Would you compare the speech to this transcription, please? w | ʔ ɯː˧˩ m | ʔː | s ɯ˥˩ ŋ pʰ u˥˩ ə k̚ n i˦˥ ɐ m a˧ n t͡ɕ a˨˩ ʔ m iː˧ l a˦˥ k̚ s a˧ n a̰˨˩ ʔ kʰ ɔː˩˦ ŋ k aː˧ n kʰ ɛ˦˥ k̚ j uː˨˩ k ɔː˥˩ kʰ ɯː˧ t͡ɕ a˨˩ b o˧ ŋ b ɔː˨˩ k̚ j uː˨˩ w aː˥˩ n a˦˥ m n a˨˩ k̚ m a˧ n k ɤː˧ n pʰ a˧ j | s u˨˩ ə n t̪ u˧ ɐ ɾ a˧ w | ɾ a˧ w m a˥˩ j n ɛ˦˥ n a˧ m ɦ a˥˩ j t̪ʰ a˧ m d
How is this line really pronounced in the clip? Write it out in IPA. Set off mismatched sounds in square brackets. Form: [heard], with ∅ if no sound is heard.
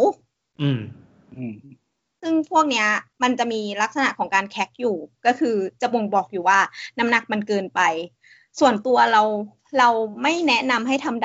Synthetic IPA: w | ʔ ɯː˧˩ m | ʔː | s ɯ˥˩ ŋ pʰ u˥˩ ə k̚ n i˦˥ ɐ m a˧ n t͡ɕ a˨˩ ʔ m iː˧ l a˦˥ k̚ s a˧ n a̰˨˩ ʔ kʰ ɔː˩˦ ŋ k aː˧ n kʰ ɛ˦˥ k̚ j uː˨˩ k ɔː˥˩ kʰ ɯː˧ t͡ɕ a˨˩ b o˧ ŋ b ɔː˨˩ k̚ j uː˨˩ w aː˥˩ n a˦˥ m n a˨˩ k̚ m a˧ n k ɤː˧ n [p] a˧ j | s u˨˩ ə n t̪ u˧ ɐ ɾ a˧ w | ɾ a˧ w m a˥˩ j n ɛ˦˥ n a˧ m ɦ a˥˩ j t̪ʰ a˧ m d